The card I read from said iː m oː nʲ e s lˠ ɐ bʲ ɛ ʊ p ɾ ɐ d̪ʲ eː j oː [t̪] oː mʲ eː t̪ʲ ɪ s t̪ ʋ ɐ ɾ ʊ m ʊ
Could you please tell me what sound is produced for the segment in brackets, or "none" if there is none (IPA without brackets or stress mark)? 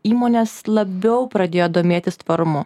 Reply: d̪